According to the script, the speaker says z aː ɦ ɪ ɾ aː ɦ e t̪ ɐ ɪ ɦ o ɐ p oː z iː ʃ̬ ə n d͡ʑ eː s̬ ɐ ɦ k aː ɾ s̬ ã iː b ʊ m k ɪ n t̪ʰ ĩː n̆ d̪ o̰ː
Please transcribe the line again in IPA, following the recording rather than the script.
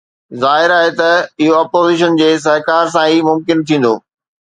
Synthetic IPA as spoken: z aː ɦ ɪ ɾ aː ɦ e t̪ ɐ ɪ ɦ o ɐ p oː z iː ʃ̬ ə n d͡ʑ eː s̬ ɐ ɦ k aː ɾ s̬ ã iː m ʊ m k ɪ n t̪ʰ ĩː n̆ d̪ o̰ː